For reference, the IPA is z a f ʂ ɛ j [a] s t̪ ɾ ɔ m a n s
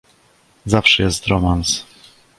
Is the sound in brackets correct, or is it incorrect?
incorrect